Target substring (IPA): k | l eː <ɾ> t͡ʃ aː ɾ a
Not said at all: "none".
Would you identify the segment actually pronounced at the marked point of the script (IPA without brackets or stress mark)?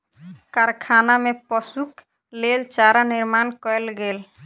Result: l